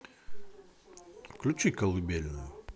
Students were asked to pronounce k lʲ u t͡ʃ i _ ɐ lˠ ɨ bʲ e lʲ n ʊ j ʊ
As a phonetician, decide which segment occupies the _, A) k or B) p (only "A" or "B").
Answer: A